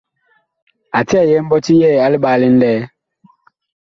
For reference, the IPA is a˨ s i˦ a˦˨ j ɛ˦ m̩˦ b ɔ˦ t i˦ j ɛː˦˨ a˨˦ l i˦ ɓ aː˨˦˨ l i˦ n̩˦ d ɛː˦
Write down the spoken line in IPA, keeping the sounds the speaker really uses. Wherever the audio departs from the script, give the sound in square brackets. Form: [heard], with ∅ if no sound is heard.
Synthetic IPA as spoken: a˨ [t] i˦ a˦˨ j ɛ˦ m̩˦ b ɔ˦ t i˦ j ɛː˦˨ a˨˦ l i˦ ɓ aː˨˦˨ l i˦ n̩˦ d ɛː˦